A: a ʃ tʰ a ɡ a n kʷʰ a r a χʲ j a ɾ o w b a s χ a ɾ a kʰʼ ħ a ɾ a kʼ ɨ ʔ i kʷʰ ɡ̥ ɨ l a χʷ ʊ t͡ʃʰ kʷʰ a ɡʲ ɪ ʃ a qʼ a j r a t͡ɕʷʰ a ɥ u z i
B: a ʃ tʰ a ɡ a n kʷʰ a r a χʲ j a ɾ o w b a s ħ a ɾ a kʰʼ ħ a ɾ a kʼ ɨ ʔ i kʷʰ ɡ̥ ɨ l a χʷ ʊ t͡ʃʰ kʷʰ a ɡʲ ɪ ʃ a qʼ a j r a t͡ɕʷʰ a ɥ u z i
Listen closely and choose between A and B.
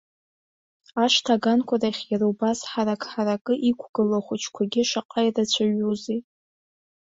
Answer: B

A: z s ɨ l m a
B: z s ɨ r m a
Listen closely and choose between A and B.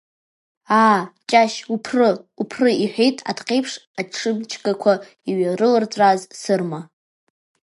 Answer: B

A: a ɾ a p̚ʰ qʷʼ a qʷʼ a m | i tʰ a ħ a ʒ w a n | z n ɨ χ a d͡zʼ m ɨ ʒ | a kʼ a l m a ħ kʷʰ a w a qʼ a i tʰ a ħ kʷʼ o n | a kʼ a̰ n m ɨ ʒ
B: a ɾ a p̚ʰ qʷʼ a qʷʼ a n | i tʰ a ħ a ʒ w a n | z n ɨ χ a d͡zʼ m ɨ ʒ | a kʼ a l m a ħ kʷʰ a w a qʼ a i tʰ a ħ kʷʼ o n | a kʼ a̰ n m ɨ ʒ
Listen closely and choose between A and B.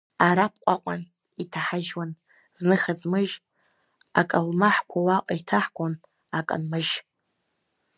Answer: B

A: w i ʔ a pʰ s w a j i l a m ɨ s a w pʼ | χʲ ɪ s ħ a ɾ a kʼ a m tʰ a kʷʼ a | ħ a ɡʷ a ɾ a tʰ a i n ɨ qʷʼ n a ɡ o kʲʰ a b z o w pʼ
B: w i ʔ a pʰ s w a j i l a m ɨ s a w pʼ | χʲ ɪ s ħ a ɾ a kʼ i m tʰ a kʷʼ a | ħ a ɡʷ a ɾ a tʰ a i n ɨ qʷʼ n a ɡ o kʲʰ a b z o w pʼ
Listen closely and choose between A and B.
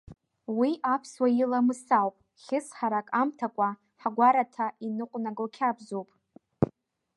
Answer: A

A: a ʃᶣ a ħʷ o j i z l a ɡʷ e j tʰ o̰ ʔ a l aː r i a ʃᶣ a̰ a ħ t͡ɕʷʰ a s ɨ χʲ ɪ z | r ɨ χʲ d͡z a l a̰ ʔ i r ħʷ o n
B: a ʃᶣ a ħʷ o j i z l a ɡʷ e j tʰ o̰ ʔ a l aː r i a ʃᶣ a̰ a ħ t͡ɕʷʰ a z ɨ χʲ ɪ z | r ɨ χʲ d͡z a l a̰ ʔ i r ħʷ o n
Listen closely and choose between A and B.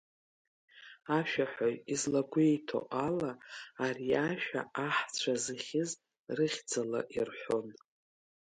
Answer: B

